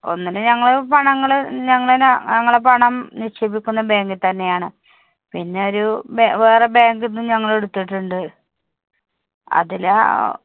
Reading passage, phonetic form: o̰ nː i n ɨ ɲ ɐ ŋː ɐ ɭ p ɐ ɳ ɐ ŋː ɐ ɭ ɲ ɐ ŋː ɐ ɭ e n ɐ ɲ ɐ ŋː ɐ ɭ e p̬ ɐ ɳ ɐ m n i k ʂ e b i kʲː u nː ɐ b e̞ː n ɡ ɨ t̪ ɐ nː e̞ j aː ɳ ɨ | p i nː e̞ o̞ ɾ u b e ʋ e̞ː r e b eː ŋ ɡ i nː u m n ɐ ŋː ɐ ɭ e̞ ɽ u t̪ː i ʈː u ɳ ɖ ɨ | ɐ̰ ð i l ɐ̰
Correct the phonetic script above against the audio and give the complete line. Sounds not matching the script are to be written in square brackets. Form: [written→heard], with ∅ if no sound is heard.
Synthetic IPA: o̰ nː i n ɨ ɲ ɐ ŋː ɐ ɭ p ɐ ɳ ɐ ŋː ɐ ɭ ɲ ɐ ŋː ɐ ɭ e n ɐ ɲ ɐ ŋː ɐ ɭ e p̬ ɐ ɳ ɐ m n i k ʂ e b i kʲː u nː ɐ b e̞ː [n→ŋ] ɡ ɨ t̪ ɐ nː e̞ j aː ɳ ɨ | p i nː e̞ o̞ ɾ u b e ʋ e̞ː r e b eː ŋ ɡ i nː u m [n→ɲ] ɐ ŋː ɐ ɭ e̞ ɽ u t̪ː i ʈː u ɳ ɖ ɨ | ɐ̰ ð i l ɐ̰